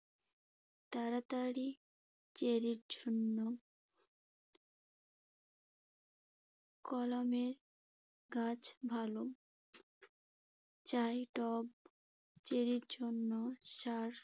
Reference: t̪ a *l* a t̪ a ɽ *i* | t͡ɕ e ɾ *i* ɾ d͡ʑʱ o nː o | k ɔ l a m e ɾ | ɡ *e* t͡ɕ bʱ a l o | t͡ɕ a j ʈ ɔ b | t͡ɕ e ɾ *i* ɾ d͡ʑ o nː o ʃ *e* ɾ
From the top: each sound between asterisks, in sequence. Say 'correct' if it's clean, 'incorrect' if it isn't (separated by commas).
incorrect, correct, correct, incorrect, correct, incorrect